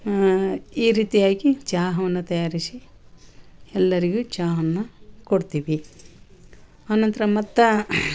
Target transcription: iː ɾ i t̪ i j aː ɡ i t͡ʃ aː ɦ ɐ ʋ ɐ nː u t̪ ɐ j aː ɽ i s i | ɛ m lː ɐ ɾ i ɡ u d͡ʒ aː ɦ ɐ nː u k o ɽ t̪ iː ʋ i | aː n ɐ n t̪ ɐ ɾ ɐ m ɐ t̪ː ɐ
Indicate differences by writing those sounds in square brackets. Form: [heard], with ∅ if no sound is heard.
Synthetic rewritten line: iː ɾ [iː] t̪ i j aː ɡ i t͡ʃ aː ɦ ɐ ʋ ɐ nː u t̪ ɐ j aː [ɾ] i s i | ɛ [∅] lː ɐ ɾ i ɡ u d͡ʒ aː ɦ ɐ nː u k o ɽ t̪ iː ʋ i | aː n ɐ n t̪ ɐ ɾ ɐ m ɐ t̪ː ɐ